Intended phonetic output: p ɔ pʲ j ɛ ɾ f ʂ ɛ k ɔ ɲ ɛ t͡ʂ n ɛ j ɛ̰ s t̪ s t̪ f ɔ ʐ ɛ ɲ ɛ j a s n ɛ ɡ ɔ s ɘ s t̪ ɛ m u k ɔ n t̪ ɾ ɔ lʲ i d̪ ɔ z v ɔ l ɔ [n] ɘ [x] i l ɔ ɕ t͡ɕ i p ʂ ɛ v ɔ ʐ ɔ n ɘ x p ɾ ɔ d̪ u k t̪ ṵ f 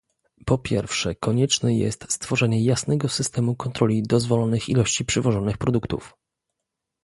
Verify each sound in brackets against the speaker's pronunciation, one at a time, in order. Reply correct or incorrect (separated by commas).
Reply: correct, correct